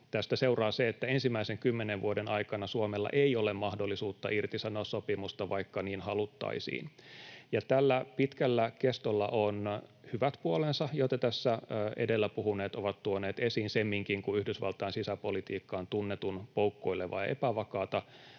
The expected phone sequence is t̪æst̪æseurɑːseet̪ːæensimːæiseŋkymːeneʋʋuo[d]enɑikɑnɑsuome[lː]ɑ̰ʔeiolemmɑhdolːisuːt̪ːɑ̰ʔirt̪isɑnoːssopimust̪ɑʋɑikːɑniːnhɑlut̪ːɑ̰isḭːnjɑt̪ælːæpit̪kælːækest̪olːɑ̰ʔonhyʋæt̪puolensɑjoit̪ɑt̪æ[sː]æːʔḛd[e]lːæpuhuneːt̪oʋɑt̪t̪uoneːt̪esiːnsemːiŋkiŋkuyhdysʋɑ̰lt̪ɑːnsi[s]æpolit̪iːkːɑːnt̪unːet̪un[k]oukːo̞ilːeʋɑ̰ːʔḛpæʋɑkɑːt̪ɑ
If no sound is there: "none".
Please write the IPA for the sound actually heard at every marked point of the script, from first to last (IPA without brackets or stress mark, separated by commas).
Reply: d, lː, sː, e, s, p